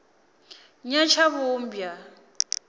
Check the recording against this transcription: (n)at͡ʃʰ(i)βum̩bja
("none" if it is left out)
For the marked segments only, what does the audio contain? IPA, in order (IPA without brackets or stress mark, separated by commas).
ɲ, a